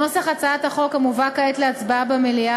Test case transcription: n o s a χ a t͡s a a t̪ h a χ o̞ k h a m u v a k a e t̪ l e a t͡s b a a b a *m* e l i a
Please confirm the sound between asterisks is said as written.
yes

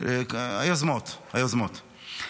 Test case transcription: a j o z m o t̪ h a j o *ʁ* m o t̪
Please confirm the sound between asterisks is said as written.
no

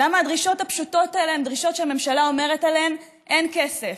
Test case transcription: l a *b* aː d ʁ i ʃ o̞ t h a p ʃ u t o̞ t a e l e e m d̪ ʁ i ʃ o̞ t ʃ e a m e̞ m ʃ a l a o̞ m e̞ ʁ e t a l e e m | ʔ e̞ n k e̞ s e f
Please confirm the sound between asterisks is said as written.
no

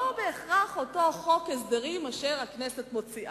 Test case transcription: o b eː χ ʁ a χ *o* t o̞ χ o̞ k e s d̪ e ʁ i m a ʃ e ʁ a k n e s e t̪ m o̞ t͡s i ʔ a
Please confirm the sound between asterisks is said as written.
yes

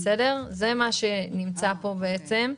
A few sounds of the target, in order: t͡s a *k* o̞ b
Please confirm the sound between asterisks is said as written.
no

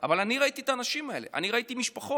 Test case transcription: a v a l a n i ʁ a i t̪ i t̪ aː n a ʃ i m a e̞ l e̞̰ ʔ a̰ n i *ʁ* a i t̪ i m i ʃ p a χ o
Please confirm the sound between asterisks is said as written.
yes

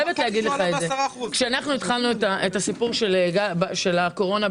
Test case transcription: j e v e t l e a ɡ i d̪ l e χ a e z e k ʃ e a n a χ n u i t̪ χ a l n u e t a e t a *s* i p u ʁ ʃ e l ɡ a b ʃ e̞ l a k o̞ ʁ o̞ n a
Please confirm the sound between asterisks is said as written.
yes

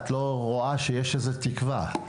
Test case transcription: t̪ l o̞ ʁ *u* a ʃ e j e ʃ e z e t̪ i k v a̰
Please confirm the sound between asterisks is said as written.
no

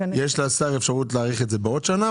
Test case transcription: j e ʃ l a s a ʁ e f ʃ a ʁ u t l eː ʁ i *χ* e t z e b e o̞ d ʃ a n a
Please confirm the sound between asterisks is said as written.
yes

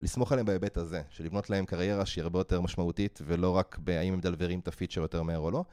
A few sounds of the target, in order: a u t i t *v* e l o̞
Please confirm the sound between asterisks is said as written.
yes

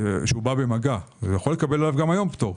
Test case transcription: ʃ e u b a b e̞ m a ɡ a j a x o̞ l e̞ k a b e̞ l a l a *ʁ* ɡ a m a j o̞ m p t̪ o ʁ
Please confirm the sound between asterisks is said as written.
no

